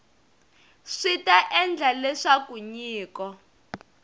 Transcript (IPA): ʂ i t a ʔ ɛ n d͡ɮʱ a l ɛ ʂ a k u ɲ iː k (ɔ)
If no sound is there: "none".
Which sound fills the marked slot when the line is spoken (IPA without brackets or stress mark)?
ɔ